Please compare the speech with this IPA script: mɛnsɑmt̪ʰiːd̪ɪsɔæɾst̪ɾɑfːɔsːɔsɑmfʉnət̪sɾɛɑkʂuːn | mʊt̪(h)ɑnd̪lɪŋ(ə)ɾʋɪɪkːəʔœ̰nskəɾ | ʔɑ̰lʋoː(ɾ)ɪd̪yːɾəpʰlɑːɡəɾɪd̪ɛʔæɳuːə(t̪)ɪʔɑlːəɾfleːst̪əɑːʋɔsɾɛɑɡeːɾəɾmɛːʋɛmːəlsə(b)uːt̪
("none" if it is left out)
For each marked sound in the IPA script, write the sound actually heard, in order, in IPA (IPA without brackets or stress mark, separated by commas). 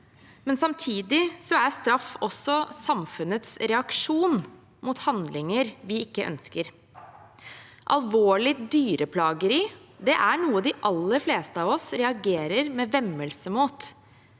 h, ə, ɭ, d̪, m